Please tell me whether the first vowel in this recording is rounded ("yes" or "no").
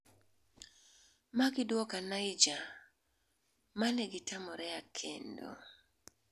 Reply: no